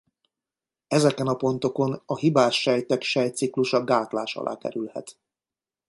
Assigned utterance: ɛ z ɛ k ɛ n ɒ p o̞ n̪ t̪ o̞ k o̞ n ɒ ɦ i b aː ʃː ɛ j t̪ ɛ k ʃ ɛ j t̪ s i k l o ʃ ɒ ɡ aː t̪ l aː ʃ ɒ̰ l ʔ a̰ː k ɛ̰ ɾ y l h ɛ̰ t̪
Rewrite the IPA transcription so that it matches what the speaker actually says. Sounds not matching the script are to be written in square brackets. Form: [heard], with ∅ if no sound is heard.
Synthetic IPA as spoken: ɛ z ɛ k ɛ n ɒ p o̞ n̪ t̪ o̞ k o̞ n ɒ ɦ i b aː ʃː ɛ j t̪ ɛ k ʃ ɛ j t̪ s i k l [u] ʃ ɒ ɡ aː t̪ l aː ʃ ɒ̰ l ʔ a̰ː k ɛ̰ ɾ y l h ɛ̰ t̪